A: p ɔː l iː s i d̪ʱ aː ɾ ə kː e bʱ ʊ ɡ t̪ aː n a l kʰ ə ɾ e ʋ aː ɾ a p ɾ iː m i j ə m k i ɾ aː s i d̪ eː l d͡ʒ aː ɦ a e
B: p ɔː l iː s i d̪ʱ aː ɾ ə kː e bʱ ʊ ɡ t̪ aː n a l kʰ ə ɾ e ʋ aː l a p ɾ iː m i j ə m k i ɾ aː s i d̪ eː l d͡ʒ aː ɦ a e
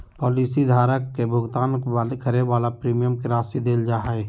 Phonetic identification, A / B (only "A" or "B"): B